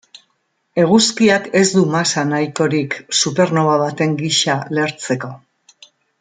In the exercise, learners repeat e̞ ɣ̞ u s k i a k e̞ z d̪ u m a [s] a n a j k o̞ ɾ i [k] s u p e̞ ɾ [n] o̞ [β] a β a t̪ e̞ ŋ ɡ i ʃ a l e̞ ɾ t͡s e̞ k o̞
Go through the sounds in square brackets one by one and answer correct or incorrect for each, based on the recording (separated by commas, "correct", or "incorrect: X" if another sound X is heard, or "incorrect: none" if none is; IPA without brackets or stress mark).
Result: correct, correct, correct, correct